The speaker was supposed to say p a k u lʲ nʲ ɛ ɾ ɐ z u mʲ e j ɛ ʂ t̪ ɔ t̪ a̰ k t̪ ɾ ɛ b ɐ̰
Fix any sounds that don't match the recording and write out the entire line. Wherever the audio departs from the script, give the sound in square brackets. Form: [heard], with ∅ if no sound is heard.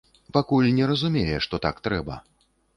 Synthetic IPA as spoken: p a k u lʲ nʲ ɛ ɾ ɐ z u mʲ e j ɛ ʂ t̪ ɔ t̪ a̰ k t̪ ɾ ɛ b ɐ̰